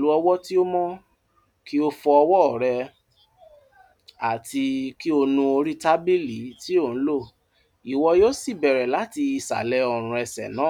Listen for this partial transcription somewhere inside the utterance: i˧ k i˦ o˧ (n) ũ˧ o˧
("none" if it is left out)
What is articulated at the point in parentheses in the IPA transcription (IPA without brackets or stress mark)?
n